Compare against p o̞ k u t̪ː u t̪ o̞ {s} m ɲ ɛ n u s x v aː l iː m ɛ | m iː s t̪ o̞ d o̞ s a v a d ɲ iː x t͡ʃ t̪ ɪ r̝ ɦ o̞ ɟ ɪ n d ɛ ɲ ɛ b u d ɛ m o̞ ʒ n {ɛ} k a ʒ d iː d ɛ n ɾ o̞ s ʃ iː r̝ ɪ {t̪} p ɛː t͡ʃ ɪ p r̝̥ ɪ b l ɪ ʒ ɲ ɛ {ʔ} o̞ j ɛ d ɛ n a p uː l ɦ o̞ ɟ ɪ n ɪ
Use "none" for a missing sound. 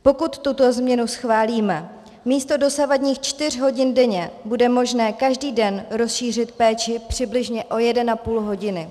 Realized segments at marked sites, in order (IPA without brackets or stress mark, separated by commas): z, ɛː, t̪, ʔ